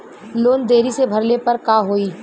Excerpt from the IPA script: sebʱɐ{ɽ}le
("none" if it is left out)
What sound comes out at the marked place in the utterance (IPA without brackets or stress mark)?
ɾ